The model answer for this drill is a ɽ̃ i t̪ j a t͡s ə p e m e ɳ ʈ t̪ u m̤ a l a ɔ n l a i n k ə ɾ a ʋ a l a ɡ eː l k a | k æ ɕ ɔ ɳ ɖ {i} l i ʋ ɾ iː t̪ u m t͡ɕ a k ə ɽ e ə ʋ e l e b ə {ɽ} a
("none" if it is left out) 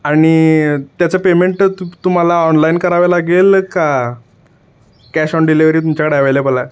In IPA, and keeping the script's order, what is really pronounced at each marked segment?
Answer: i, l

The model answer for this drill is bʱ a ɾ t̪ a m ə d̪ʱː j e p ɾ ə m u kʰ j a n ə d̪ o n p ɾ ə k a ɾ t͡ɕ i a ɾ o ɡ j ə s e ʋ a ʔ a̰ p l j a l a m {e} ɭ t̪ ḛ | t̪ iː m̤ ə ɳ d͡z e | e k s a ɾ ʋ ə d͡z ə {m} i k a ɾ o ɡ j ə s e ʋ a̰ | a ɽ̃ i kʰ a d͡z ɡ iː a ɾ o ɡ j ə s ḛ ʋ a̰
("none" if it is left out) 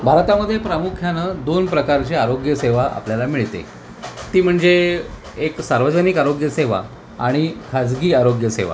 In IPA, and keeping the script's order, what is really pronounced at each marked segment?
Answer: i, n

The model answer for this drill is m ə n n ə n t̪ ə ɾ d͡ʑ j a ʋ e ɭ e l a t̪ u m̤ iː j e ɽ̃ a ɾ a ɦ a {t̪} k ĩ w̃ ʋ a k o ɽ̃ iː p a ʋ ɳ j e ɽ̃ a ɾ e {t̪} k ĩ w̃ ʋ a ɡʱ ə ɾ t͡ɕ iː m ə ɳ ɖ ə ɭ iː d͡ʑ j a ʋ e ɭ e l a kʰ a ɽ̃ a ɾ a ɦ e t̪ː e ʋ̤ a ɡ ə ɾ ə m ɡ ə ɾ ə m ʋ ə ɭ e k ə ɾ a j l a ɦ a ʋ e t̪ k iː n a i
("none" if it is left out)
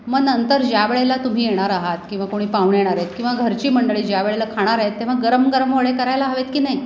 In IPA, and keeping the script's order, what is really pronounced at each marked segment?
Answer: t̪, t̪

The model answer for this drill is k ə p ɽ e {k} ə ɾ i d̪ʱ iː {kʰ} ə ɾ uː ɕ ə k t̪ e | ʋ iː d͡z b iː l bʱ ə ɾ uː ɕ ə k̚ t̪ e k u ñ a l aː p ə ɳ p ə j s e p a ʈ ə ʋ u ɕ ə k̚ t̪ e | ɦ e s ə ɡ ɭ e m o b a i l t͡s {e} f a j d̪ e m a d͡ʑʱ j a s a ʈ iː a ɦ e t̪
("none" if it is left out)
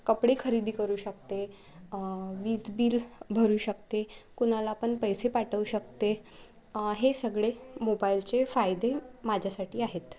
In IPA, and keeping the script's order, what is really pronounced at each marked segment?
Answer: kʰ, k, e

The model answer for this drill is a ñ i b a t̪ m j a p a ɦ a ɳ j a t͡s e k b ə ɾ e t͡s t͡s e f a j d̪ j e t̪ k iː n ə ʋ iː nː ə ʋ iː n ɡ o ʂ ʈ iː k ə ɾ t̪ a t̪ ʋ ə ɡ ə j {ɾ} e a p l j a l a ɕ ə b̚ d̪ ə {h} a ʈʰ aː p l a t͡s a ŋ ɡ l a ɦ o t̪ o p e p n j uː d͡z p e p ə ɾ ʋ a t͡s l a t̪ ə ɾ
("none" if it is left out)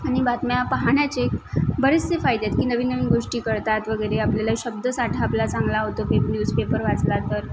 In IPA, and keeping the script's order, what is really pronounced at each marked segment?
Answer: ɾ, s

